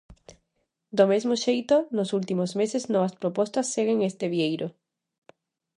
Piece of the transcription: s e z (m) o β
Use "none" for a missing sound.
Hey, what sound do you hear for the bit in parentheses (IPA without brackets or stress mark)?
n